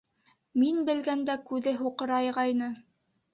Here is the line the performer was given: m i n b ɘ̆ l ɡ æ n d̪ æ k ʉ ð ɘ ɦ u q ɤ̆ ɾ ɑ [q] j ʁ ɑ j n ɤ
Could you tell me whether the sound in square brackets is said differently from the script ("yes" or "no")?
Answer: yes